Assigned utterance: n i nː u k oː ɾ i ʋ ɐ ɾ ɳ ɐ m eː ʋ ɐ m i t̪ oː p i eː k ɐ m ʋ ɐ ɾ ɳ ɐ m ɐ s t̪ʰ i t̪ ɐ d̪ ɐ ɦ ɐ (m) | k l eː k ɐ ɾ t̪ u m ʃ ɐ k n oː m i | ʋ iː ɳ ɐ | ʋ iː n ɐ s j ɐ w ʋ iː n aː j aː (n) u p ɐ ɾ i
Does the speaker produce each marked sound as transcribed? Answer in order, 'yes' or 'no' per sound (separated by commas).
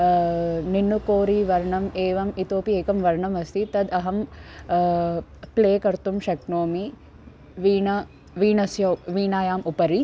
yes, no